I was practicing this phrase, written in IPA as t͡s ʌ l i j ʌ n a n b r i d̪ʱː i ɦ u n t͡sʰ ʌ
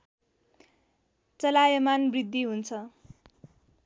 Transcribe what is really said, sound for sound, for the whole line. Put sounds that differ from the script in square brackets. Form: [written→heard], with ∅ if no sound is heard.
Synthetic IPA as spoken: t͡s ʌ l [i→a] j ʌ [n→m] a n b r i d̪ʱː i ɦ u n t͡sʰ ʌ